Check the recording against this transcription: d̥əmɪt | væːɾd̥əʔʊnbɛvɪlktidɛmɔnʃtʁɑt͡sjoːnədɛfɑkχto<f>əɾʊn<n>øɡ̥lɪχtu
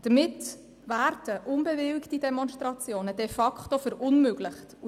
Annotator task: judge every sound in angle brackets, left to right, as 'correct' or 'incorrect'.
correct, incorrect: m

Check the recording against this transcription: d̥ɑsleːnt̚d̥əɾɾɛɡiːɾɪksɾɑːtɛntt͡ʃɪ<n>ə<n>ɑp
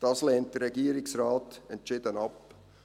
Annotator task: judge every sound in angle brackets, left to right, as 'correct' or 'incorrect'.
incorrect: d, correct

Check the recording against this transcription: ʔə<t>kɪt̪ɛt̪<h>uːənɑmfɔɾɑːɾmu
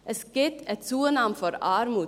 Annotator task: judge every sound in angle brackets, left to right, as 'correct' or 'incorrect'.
incorrect: s, incorrect: s

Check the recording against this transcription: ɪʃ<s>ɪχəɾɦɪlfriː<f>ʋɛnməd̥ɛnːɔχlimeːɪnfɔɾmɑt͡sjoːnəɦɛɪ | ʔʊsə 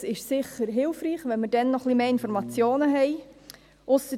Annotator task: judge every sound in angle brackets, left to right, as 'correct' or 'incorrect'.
correct, incorrect: χ

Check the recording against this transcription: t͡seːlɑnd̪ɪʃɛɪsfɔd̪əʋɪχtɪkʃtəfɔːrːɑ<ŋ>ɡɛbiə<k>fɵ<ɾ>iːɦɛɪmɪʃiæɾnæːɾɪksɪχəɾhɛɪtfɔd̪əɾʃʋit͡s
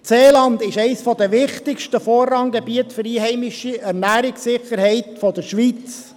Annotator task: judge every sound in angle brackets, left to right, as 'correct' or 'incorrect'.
correct, incorrect: t, correct

